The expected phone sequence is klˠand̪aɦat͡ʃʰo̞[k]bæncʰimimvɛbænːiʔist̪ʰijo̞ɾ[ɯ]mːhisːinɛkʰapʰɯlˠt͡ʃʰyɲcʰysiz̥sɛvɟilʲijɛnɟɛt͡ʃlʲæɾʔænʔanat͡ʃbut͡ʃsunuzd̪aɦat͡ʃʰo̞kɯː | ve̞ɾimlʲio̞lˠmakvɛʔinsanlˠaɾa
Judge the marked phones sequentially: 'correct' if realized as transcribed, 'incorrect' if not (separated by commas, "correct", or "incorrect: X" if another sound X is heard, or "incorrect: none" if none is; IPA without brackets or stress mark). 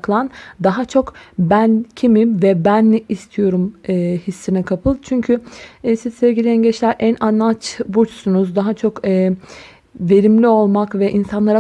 correct, incorrect: u